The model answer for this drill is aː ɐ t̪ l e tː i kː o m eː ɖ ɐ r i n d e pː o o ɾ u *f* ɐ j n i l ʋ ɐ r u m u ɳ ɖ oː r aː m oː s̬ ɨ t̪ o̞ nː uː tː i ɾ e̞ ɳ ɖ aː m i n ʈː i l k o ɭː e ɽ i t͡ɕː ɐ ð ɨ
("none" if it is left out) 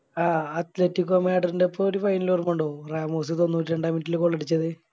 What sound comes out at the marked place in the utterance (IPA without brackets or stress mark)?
f